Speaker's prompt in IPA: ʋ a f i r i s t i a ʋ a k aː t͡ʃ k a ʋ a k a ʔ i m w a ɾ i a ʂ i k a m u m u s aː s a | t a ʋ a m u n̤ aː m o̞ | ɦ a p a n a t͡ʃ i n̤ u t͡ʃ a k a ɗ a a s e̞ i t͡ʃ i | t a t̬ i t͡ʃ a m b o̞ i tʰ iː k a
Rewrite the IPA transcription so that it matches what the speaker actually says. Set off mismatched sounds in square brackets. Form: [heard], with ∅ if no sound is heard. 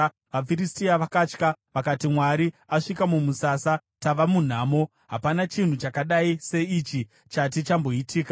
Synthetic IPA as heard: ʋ a f i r i s t i a ʋ a k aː t͡ʃ k a ʋ a k a [t] i m w a ɾ i a ʂ i k a m u m u s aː s a | t a ʋ a m u n̤ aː m o̞ | ɦ a p a n a t͡ʃ i n̤ u t͡ʃ a k a ɗ a [i] s e̞ i t͡ʃ i | [t͡ʃ] a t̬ i t͡ʃ a m b o̞ i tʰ iː k a